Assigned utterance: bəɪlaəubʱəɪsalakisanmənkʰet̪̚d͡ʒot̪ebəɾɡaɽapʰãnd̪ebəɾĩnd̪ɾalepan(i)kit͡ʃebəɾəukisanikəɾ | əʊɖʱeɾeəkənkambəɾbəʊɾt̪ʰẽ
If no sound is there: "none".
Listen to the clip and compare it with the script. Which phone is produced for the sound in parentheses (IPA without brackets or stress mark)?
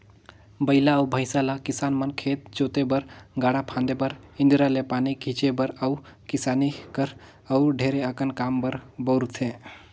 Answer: i